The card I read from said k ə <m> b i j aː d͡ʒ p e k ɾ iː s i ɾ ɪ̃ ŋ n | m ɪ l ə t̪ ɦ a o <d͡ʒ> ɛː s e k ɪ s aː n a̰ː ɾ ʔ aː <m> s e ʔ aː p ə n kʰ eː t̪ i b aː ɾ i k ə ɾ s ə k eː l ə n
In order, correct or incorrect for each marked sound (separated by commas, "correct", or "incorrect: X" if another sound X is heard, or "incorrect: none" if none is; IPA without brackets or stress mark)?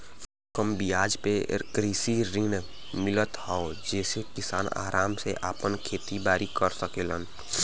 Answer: correct, correct, correct